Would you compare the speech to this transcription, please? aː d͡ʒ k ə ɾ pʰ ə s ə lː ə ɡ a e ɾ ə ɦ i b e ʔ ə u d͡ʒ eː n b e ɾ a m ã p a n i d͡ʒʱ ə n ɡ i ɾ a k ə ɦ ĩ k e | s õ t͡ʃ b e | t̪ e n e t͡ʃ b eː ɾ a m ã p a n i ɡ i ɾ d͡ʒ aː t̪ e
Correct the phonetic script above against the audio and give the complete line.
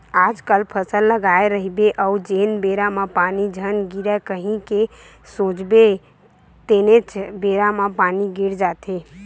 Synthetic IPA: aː d͡ʒ k ə l pʰ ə s ə lː ə ɡ a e ɾ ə ɦ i b e ʔ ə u d͡ʒ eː n b e ɾ a m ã p a n i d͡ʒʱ ə n ɡ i ɾ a k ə ɦ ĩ k e | s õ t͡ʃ b e | t̪ e n e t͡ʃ b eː ɾ a m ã p a n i ɡ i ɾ d͡ʒ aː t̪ e